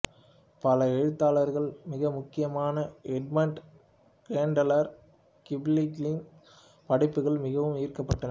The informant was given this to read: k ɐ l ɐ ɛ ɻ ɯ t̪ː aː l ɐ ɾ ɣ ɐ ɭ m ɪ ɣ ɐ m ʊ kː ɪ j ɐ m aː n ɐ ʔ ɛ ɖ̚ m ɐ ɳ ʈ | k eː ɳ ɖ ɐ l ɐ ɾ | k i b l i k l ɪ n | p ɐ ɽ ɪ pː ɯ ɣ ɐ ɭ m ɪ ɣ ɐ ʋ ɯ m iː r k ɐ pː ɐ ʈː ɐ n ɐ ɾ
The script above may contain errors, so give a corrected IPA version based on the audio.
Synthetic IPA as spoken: p ɐ l ɐ ɛ ɻ ɯ t̪ː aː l ɐ ɾ ɣ ɐ ɭ m ɪ ɣ ɐ m ʊ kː ɪ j ɐ m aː n ɐ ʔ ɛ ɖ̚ m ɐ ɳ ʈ | k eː ɳ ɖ ɐ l ɐ ɾ | k ɪ b l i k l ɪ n | p ɐ ɽ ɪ pː ɯ ɣ ɐ ɭ m ɪ ɣ ɐ ʋ ɯ m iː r k ɐ pː ɐ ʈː ɐ n ɐ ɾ